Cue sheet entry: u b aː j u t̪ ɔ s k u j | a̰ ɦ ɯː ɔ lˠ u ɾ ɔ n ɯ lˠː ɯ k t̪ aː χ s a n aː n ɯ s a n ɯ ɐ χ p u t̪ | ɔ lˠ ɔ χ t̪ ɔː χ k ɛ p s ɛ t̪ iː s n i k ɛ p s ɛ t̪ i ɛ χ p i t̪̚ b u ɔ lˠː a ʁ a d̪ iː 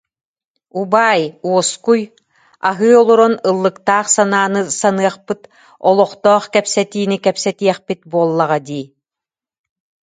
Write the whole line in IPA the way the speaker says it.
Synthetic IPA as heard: u b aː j u ɔ s k u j | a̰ ɦ ɯː ɔ lˠ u ɾ ɔ n ɯ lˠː ɯ k t̪ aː χ s a n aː n ɯ s a n ɯ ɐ χ p ɯ t̪ | ɔ lˠ ɔ χ t̪ ɔː χ k ɛ p s ɛ t̪ iː n i k ɛ p s ɛ t̪ i ɛ χ p i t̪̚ b u ɔ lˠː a ʁ a d̪ iː